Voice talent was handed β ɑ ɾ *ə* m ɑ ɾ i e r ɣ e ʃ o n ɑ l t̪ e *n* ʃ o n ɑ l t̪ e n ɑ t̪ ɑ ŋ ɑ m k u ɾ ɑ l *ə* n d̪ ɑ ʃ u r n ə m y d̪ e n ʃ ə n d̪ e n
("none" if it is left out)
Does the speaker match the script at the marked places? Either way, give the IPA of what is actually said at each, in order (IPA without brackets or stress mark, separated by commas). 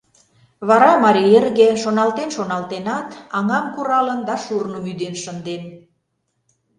ɑ, n, ə